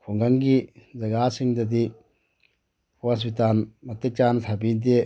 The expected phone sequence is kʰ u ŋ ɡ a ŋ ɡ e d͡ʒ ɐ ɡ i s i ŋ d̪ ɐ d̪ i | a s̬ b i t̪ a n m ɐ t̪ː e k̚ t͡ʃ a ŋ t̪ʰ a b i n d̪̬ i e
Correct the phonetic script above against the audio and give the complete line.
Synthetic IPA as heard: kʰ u ŋ ɡ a ŋ ɡ i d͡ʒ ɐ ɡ a s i ŋ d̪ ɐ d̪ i | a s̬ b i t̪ a n m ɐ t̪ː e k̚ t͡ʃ a n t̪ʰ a b i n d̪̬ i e